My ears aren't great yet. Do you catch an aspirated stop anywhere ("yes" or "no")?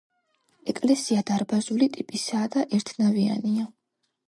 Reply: yes